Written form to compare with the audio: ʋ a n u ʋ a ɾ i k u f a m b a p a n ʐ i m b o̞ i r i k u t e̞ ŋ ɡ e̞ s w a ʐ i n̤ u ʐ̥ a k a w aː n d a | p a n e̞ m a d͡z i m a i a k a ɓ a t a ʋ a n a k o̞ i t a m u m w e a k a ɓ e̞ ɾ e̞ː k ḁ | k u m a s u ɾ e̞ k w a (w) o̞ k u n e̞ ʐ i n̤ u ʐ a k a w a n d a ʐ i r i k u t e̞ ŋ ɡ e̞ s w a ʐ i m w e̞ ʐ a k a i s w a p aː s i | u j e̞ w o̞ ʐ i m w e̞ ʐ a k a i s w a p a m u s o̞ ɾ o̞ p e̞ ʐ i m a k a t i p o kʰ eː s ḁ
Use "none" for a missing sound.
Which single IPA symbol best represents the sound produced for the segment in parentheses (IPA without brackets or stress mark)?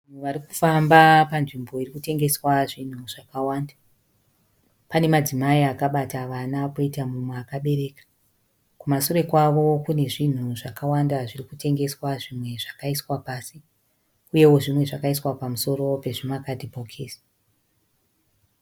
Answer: ʋ